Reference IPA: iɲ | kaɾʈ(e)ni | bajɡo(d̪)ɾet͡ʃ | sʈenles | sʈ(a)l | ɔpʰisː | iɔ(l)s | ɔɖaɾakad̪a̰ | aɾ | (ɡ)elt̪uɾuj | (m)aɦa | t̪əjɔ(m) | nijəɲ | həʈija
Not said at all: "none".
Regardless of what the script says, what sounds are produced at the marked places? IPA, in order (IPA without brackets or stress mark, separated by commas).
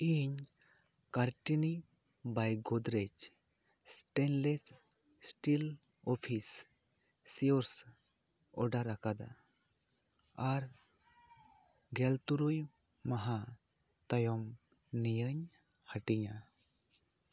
i, d̪, i, ɾ, ɡ, m, m